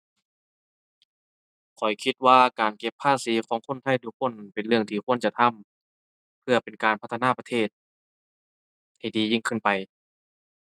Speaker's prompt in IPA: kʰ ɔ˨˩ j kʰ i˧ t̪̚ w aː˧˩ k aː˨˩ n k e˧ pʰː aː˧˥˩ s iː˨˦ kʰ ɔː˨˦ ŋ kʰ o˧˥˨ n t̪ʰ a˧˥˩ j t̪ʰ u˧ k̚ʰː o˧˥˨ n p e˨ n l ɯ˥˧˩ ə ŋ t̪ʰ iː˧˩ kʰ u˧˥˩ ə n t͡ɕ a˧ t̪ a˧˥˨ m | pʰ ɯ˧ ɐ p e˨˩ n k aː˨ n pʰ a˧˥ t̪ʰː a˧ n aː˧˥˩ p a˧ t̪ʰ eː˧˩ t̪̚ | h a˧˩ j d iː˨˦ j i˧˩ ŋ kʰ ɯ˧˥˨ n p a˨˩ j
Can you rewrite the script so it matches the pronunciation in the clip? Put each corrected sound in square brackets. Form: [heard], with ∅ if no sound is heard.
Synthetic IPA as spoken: kʰ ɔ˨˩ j kʰ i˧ t̪̚ w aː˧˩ k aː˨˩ n k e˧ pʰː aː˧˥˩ s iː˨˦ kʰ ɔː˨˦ ŋ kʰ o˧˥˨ n t̪ʰ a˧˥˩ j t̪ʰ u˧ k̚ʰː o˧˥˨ n p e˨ n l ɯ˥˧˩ ə ŋ t̪ʰ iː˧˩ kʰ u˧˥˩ ə n t͡ɕ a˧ [t̪ʰ] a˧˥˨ m | pʰ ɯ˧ ɐ p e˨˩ n k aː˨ n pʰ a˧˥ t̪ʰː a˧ n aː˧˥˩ p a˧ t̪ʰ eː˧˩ t̪̚ | h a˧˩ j d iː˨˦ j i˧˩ ŋ kʰ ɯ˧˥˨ n p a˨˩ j